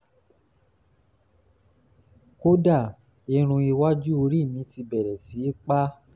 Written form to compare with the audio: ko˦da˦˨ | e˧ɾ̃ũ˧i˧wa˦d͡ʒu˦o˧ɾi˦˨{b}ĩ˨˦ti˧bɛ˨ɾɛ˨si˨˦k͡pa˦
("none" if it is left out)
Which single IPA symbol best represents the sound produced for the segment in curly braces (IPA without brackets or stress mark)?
m